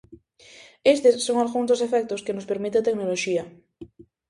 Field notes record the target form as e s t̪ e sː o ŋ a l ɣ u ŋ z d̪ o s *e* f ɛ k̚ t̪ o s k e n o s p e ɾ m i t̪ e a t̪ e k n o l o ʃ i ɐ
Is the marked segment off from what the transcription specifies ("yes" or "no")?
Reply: no